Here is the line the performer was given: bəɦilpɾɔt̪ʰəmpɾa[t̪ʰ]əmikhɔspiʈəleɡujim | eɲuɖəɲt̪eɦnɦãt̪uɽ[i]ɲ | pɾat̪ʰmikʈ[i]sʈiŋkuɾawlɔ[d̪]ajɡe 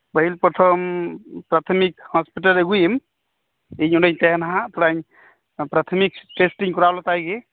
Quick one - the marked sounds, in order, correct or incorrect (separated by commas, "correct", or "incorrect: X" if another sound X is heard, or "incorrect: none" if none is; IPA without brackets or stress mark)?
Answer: correct, incorrect: a, incorrect: e, incorrect: t̪